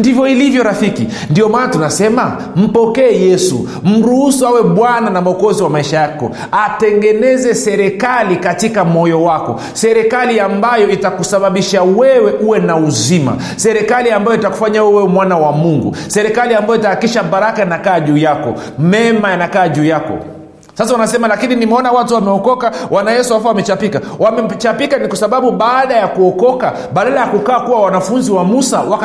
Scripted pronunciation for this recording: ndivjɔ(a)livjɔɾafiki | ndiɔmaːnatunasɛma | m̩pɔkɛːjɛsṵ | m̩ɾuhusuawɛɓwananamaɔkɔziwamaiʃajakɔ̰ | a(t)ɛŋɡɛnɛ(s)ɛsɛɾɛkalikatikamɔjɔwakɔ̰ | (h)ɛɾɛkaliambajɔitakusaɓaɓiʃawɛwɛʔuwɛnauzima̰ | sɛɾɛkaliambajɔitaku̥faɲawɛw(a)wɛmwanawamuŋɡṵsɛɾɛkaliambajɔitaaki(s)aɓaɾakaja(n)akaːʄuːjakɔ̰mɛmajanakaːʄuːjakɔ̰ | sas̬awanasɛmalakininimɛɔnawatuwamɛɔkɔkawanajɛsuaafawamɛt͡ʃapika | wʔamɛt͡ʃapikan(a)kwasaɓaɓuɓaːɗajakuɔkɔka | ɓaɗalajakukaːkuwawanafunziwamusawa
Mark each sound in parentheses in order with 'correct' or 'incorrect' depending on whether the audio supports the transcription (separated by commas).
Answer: incorrect, correct, incorrect, incorrect, incorrect, incorrect, correct, incorrect